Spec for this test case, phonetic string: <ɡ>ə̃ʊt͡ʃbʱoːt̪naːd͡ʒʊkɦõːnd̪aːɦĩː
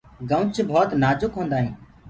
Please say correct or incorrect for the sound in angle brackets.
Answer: correct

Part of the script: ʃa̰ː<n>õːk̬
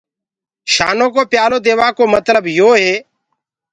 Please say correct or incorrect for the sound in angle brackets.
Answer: correct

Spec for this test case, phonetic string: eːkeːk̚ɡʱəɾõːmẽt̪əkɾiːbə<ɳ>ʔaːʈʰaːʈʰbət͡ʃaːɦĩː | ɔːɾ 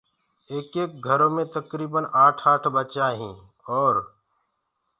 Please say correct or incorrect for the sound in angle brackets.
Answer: incorrect: n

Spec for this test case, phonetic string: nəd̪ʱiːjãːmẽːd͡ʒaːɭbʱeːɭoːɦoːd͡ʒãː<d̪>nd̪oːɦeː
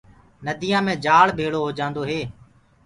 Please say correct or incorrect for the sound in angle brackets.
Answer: incorrect: none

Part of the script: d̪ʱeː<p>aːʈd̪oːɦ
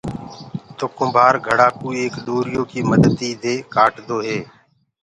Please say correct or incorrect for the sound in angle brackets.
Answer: incorrect: k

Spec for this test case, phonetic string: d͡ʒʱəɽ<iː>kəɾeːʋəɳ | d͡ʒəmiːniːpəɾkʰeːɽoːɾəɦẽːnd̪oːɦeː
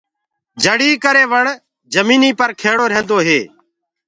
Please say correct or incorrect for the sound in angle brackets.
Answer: correct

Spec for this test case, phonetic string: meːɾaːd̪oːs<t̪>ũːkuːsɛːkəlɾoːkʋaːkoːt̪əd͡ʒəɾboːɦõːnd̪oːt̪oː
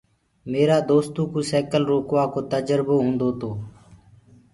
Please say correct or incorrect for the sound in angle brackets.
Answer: correct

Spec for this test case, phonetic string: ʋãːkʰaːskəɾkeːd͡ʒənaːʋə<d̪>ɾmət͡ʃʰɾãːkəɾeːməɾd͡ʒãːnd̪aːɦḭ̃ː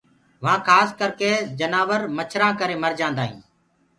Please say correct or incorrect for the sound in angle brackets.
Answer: incorrect: none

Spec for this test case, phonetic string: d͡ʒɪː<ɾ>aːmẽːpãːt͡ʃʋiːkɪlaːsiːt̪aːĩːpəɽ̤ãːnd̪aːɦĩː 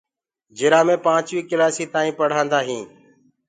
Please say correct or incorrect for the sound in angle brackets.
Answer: correct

